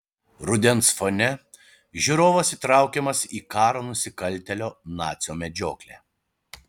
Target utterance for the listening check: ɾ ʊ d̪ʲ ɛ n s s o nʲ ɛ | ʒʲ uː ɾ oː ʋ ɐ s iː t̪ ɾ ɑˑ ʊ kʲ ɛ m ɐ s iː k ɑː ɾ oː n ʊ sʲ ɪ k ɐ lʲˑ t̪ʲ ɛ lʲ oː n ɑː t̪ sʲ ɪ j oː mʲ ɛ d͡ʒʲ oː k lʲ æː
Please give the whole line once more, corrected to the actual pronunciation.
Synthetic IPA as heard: ɾ ʊ d̪ʲ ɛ n s f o nʲ ɛ | ʒʲ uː ɾ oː ʋ ɐ s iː t̪ ɾ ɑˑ ʊ kʲ ɛ m ɐ s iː k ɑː ɾ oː n ʊ sʲ ɪ k ɐ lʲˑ t̪ʲ ɛ lʲ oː n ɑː t̪ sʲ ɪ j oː mʲ ɛ d͡ʒʲ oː k lʲ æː